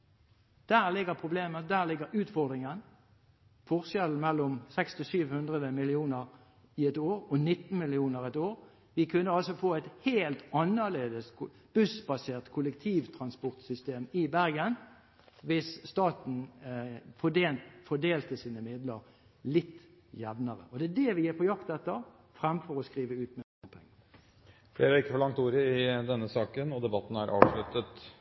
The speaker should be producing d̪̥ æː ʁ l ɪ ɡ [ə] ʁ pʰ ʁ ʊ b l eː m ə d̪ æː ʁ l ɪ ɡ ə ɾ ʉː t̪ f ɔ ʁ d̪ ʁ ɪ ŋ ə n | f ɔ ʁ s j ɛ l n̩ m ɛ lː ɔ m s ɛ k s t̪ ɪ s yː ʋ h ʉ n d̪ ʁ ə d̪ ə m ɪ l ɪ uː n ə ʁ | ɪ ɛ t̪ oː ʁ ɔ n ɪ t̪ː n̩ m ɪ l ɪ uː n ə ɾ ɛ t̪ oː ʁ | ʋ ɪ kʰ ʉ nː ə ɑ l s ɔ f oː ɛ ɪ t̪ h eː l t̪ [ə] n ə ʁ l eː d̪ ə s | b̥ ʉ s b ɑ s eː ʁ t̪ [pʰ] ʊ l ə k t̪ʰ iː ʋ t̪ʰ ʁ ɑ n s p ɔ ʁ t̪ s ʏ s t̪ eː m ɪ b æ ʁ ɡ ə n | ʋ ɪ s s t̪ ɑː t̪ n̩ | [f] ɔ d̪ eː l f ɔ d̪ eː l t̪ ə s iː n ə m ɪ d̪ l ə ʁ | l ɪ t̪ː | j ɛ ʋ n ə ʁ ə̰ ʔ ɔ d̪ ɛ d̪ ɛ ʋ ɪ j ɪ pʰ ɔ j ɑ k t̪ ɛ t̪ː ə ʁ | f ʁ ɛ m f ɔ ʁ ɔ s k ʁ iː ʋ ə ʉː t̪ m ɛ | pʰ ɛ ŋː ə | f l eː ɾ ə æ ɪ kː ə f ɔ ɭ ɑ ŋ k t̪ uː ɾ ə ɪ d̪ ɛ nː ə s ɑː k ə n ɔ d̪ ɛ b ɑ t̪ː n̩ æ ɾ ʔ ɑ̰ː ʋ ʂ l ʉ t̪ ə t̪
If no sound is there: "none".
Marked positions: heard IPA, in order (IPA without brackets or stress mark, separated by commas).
ə, ɑ, kʰ, f